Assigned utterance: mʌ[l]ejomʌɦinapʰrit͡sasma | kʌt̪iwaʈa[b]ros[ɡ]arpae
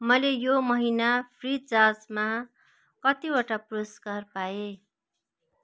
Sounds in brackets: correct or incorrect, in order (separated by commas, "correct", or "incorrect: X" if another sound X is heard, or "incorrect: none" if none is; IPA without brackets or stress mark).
correct, incorrect: p, incorrect: k